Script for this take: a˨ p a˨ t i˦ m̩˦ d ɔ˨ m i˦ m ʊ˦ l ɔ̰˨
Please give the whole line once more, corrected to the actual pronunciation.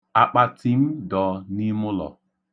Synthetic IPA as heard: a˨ k͡p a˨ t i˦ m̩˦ d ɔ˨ n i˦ m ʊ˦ l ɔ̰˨